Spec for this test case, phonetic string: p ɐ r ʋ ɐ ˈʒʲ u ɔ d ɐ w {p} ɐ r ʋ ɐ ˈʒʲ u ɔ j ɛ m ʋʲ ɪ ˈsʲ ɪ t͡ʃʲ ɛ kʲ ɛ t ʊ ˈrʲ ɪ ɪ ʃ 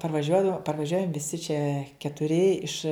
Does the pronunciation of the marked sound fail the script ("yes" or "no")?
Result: no